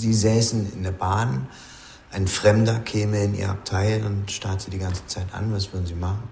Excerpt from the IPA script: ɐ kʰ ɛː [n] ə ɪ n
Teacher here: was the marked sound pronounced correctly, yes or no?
no